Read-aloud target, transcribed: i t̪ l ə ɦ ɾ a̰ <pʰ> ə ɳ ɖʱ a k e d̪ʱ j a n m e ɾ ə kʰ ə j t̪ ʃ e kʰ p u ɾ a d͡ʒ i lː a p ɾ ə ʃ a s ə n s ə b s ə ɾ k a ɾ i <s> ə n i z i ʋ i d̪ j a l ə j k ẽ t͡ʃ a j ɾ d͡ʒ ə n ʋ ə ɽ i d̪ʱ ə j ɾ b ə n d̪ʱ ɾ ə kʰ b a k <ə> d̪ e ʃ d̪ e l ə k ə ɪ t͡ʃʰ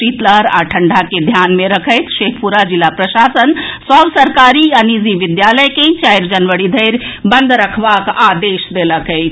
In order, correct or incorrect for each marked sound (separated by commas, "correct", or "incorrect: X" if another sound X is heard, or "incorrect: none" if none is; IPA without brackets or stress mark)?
incorrect: ʈʰ, incorrect: none, incorrect: a